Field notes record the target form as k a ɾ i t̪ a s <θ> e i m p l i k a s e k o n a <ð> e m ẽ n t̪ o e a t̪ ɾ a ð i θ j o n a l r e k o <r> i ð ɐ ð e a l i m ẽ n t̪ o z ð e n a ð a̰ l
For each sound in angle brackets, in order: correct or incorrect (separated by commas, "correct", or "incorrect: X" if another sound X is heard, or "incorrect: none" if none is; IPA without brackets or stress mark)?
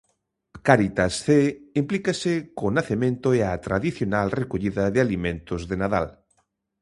correct, incorrect: θ, incorrect: ʎ